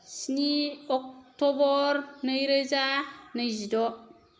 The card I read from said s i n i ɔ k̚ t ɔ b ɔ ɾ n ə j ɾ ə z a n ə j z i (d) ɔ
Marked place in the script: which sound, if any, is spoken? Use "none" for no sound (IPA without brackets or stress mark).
d